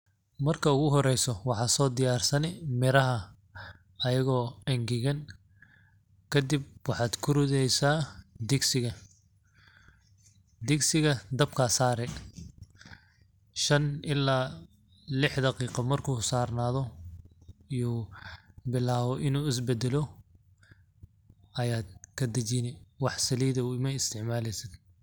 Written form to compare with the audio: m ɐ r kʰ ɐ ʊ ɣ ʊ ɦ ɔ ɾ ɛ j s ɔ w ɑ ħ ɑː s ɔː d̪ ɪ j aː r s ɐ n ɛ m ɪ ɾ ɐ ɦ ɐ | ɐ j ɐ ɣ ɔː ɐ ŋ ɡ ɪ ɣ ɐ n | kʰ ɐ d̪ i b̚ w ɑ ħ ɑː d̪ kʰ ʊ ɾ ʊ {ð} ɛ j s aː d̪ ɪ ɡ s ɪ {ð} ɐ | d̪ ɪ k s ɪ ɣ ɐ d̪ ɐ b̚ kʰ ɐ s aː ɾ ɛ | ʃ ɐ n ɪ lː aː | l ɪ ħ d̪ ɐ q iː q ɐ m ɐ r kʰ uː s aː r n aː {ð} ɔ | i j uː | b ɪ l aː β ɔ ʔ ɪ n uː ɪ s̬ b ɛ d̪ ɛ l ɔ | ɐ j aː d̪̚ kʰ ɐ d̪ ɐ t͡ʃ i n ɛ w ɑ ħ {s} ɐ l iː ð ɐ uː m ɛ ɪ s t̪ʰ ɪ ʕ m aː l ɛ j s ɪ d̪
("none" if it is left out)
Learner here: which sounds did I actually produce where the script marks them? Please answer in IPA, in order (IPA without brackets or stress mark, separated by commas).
ð, ɣ, ð, s